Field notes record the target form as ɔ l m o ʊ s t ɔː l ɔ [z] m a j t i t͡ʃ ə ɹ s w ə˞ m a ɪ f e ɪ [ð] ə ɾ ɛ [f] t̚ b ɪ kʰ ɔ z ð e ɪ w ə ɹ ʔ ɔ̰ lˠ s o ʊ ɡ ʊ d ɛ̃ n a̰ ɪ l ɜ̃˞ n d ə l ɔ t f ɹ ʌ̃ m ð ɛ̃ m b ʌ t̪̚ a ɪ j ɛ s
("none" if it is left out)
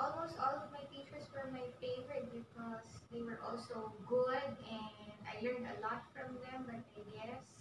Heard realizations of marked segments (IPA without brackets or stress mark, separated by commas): v, v, none